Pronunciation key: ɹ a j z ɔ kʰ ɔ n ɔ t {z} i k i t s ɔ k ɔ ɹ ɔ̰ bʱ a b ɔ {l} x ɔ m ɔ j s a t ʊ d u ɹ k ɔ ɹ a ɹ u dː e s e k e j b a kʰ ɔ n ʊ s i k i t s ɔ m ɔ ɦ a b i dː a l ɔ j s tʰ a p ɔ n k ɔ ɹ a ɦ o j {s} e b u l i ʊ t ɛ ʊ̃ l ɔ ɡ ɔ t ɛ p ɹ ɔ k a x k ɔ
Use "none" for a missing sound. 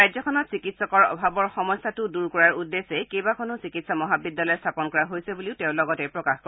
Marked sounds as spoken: s, ɹ, s

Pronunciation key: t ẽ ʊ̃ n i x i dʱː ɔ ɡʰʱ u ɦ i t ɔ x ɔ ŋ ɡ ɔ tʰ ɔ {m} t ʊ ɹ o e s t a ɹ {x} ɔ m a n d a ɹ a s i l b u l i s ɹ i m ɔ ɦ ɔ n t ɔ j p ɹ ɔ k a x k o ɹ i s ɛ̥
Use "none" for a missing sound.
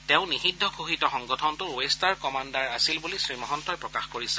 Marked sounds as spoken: n, k

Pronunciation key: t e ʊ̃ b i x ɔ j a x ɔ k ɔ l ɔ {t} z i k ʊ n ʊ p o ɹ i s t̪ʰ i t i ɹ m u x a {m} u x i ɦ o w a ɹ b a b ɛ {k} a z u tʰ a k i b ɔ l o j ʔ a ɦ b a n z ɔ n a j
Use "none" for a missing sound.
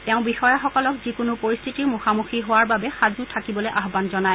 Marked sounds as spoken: k, m, x

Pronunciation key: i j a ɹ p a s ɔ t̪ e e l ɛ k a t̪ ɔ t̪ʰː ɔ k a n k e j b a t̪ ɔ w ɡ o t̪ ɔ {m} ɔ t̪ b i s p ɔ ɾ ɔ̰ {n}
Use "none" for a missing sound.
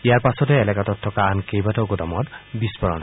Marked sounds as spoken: m, n

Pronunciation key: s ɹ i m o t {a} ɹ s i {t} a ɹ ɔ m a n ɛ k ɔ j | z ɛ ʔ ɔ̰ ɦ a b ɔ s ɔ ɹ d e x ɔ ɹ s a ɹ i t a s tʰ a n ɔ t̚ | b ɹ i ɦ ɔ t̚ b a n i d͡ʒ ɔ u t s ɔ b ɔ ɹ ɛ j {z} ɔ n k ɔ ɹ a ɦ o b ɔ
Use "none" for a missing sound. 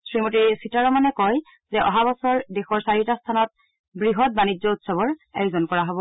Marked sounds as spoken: i, t, z

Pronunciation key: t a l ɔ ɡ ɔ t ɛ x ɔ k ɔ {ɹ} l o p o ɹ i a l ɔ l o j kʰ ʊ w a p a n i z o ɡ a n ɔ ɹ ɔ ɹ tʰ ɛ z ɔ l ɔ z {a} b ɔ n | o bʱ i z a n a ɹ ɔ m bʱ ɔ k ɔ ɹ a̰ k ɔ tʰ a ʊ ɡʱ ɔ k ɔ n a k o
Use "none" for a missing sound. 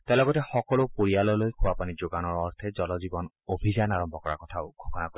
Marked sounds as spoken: none, i

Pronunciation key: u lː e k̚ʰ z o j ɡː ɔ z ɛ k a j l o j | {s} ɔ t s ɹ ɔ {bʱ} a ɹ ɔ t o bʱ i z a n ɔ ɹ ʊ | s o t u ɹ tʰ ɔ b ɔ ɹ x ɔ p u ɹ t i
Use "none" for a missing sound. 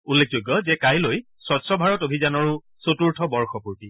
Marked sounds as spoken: s, bʱ

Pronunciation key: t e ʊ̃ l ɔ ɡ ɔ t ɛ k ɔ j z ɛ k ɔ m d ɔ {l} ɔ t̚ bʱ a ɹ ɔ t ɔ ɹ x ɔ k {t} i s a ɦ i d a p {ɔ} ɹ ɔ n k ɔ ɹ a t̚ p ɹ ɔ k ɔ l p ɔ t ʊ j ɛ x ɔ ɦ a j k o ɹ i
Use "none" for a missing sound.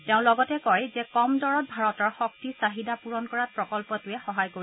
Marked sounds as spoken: ɹ, t, u

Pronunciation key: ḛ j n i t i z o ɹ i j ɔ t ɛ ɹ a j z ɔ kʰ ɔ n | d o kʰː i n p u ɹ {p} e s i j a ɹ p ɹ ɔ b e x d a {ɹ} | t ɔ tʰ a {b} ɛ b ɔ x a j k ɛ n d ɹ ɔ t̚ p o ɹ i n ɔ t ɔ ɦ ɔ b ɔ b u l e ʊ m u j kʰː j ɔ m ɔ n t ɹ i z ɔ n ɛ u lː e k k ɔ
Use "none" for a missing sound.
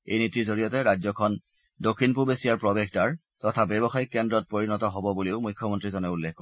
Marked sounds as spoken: b, ɹ, b

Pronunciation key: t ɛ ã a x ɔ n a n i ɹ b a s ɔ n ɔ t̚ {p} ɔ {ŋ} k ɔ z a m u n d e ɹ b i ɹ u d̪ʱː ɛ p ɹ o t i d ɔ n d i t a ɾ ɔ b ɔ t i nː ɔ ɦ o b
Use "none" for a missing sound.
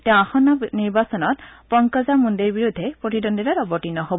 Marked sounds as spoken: p, ŋ

